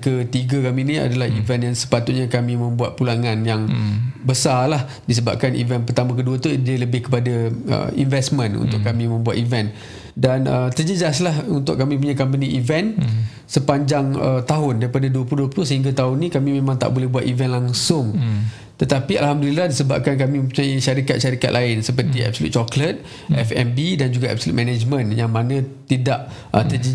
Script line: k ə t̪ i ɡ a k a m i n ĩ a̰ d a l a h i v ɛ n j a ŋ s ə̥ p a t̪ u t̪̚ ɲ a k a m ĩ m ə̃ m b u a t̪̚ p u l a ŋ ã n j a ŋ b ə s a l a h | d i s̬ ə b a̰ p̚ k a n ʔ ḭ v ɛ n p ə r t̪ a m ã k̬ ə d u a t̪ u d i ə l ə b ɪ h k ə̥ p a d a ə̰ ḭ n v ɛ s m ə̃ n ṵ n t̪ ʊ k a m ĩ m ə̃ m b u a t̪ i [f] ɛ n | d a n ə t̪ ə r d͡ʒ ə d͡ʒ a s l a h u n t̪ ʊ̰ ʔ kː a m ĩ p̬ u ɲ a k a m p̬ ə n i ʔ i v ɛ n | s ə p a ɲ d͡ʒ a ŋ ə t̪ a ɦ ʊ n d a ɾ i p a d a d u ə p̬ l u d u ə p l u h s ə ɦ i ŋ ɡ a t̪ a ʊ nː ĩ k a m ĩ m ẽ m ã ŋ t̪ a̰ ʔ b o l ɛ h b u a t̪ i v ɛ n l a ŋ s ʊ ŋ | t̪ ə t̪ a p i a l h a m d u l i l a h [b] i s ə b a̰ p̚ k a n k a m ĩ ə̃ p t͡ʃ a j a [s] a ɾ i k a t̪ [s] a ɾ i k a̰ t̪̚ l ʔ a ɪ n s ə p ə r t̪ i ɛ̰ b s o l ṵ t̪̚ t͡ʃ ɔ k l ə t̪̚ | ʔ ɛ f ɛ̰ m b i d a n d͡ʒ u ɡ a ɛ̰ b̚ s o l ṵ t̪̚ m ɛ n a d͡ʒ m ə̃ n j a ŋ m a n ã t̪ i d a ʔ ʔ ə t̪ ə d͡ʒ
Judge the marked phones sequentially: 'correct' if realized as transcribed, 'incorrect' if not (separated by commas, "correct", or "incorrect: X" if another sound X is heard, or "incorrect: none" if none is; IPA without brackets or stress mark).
incorrect: v, incorrect: d, incorrect: ʃ, incorrect: ʃ